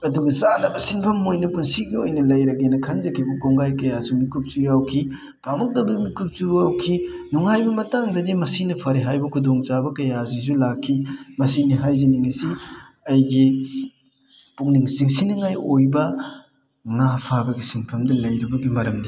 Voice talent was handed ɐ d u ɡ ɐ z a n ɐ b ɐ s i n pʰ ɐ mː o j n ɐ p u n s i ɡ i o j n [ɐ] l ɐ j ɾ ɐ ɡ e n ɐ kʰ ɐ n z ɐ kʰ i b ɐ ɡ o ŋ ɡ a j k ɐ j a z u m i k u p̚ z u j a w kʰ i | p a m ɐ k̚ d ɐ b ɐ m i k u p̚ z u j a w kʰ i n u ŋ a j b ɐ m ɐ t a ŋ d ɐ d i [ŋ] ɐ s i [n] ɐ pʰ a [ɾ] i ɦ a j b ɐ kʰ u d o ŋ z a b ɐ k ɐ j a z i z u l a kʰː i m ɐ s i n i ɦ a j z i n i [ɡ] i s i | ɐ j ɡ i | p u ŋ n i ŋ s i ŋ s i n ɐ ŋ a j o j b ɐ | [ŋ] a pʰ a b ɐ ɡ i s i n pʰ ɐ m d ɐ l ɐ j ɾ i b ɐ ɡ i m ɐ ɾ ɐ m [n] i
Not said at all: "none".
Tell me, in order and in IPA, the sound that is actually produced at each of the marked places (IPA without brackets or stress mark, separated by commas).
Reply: ɐ, m, n, ɾ, ŋ, ŋ, d